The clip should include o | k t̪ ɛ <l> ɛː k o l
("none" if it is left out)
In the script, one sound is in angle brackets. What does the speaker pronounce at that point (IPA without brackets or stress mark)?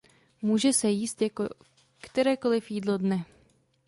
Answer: ɾ